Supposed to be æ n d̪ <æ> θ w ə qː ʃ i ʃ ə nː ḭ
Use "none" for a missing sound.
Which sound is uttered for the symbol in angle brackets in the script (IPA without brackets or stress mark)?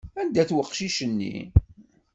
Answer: æ